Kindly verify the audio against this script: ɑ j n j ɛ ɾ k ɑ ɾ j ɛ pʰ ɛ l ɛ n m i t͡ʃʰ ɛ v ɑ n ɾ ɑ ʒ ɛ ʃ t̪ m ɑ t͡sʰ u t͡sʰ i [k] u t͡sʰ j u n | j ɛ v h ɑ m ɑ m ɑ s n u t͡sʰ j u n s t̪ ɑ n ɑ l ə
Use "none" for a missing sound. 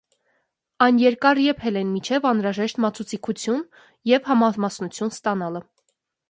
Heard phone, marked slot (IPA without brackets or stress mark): kʰ